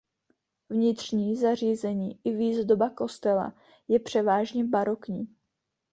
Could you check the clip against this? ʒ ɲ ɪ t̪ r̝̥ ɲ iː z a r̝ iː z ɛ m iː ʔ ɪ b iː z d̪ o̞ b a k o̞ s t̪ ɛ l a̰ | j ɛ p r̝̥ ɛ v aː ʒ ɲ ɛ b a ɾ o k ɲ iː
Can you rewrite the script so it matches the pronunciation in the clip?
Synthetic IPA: v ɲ ɪ t̪ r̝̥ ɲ iː z a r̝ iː z ɛ ɲ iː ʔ ɪ v iː z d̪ o̞ b a k o̞ s t̪ ɛ l a̰ | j ɛ p r̝̥ ɛ v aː ʒ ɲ ɛ b a ɾ o k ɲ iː